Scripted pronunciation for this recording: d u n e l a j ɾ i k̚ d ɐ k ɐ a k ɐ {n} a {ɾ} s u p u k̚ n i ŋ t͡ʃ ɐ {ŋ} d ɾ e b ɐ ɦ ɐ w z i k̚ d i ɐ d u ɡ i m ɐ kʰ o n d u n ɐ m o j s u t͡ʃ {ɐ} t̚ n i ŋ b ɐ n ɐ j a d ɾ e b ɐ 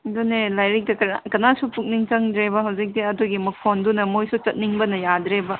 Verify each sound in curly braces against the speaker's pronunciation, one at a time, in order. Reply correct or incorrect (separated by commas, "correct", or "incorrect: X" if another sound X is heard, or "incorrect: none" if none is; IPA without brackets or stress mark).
correct, incorrect: none, correct, correct